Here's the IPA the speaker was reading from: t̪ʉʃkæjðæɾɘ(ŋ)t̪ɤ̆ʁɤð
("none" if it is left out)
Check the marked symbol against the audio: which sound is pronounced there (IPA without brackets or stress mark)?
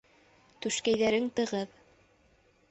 ŋ